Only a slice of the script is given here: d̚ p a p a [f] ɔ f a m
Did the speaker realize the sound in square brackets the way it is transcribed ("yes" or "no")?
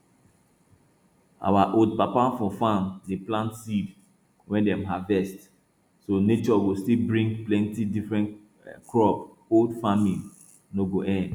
yes